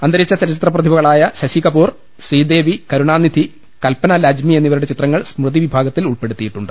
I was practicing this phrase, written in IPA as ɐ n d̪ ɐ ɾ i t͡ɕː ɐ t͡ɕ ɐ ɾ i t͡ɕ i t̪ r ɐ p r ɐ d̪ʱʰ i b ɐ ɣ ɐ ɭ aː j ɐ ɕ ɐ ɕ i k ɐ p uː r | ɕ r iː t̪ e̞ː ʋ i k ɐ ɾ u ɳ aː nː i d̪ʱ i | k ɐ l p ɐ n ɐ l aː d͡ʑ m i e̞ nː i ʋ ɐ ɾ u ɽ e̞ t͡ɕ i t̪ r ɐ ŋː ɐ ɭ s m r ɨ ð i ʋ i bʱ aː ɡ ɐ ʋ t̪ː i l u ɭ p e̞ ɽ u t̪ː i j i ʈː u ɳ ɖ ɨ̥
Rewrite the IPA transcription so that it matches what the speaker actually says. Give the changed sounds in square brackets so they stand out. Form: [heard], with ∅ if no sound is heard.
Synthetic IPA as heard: ɐ n d̪ ɐ ɾ i t͡ɕː ɐ t͡ɕ ɐ ɾ i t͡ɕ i t̪ r ɐ p r ɐ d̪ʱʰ i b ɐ ɣ ɐ ɭ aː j ɐ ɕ ɐ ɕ i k ɐ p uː r | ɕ r iː [d̪] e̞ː ʋ i k ɐ ɾ u ɳ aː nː i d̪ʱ i | k ɐ l p ɐ n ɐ l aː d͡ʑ m i e̞ nː i ʋ ɐ ɾ u ɽ e̞ t͡ɕ i t̪ r ɐ ŋː ɐ ɭ s m r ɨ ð i ʋ i bʱ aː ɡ ɐ [∅] t̪ː i l u ɭ p e̞ ɽ u t̪ː i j i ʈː u ɳ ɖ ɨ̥